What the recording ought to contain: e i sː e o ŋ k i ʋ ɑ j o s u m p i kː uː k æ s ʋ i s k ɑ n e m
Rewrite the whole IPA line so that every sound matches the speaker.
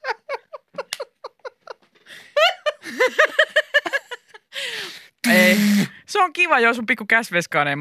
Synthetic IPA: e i s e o ŋ k i ʋ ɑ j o s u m p i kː u k æ s ʋ e s k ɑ n e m